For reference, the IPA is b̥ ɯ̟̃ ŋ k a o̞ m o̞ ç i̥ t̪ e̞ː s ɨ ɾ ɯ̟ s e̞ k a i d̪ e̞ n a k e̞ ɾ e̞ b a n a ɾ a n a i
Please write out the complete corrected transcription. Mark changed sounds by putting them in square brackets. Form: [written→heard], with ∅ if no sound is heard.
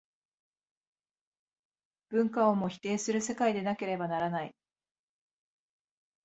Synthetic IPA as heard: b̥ ɯ̟̃ ŋ k a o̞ m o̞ ç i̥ t̪ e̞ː s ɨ ɾ ɯ̟ s e̞ k a i d̪ e̞ n a k e̞ ɾ e̞ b a n a ɾ a n a i